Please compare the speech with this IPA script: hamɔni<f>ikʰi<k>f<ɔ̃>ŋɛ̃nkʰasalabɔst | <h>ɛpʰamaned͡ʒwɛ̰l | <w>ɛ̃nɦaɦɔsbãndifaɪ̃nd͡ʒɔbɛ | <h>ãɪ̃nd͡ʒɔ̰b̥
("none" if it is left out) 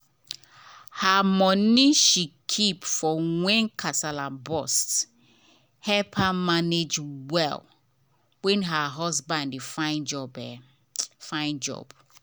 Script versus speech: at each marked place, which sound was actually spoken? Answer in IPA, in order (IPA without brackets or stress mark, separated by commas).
ʃ, p, ɔ, h, w, f